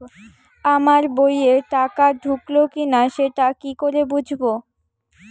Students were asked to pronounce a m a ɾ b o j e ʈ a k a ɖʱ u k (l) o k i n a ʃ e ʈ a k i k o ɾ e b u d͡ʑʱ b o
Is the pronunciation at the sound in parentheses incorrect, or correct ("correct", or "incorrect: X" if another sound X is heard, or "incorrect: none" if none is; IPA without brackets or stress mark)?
correct